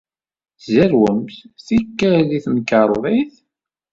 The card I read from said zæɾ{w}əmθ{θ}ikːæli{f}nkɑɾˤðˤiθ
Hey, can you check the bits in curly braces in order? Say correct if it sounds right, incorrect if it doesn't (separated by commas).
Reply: correct, correct, incorrect